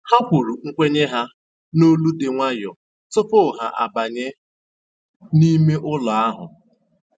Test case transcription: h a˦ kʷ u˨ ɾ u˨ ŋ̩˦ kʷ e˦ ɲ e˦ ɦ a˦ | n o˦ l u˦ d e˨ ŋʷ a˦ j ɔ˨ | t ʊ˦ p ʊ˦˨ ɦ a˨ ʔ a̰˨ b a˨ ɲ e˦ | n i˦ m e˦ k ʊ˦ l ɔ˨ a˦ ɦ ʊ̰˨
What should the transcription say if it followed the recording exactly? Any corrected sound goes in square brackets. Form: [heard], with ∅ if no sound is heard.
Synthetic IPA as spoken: h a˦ kʷ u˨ ɾ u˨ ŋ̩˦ kʷ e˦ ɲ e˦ ɦ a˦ | n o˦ l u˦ d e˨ ŋʷ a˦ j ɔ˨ | t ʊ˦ p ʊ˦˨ ɦ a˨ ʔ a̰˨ b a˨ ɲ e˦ | n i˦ m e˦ [ʔ] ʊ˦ l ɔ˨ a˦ ɦ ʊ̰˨